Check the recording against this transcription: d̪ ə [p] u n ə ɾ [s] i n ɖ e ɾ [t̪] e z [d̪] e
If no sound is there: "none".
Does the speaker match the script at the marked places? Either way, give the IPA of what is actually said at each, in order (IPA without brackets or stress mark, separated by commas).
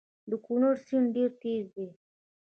k, s, t̪, d̪